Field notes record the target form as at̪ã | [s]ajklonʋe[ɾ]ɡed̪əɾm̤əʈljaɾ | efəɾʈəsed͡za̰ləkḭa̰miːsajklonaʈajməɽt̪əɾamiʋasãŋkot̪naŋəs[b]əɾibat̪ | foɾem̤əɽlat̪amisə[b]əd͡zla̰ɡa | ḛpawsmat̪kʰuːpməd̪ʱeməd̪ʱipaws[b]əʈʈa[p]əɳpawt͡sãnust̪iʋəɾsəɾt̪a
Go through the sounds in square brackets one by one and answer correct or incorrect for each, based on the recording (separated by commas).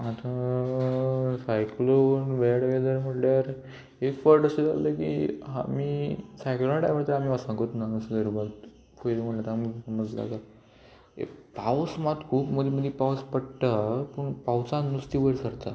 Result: correct, incorrect, incorrect, incorrect, incorrect, correct